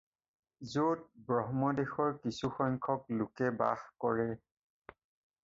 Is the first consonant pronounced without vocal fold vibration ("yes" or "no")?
no